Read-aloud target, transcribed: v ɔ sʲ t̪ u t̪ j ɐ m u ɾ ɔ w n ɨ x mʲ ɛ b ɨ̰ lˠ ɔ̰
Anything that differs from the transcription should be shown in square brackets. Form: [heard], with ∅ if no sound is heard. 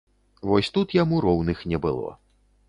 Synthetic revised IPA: v ɔ sʲ t̪ u t̪ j [a] m u ɾ ɔ w n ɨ x [nʲ] ɛ b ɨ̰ lˠ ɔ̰